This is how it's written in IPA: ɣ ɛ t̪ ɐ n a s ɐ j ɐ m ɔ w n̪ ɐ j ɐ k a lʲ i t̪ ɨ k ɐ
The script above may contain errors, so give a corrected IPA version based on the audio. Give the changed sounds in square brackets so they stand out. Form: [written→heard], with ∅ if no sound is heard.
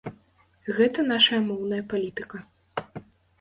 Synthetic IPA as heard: ɣ ɛ t̪ ɐ n a [s→ʂ] ɐ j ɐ m ɔ w n̪ ɐ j ɐ [k→p] a lʲ i t̪ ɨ k ɐ